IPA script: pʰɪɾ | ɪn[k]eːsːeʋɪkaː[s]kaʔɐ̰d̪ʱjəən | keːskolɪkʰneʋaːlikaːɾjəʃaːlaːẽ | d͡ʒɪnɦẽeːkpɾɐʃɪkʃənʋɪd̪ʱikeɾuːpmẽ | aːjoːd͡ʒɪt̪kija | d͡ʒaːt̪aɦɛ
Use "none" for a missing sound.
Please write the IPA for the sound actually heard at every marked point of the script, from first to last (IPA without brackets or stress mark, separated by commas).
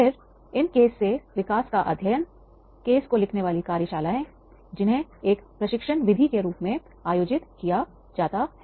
k, s